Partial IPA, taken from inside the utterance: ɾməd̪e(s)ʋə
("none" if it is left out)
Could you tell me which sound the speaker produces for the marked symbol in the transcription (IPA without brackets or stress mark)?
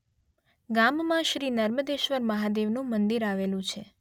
ʃ